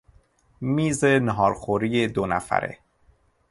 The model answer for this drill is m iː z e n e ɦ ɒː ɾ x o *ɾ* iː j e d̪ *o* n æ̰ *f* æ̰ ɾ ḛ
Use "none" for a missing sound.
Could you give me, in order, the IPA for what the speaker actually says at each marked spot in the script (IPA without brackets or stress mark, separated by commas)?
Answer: ɾ, o, f